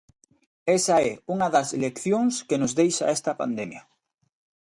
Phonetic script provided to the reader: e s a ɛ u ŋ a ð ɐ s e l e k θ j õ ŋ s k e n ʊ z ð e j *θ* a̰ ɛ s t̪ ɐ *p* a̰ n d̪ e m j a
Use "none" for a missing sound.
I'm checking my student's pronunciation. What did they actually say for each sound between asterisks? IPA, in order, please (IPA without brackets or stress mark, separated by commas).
ʃ, p